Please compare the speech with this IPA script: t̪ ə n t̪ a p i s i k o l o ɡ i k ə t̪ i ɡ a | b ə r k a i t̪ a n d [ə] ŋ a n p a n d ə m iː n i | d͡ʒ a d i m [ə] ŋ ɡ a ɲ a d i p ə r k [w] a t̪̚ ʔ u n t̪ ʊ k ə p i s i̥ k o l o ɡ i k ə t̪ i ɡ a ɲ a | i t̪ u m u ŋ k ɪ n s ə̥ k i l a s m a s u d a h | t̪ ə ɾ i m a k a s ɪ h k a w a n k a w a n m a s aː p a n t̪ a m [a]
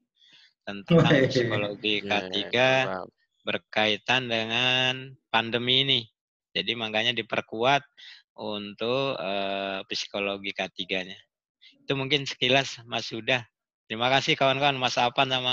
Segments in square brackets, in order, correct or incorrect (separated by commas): correct, incorrect, incorrect, correct